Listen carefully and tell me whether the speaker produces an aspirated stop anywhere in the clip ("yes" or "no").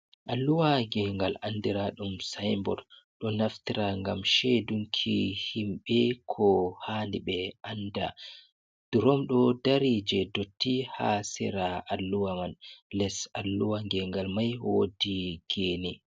yes